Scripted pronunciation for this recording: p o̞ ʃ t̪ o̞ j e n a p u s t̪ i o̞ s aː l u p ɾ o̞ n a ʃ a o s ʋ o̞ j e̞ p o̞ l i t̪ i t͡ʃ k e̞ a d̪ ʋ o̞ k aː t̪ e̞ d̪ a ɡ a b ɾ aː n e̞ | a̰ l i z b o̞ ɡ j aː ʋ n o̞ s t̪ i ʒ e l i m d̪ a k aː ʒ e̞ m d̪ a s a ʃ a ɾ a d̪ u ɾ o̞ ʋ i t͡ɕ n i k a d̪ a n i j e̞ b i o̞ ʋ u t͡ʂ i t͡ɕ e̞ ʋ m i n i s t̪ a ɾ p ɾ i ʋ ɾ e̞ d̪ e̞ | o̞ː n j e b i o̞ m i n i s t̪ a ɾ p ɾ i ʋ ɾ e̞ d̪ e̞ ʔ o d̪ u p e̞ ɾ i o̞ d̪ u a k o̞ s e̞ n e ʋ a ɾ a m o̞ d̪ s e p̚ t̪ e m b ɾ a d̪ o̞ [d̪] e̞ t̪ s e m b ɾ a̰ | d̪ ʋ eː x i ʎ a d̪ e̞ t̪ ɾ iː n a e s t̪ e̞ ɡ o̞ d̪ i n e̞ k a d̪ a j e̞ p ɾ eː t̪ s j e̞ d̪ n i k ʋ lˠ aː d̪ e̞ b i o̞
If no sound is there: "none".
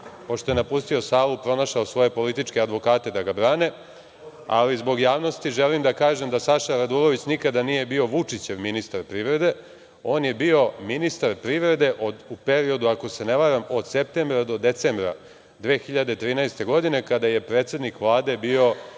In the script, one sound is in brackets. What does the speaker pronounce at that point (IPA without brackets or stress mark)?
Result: d̪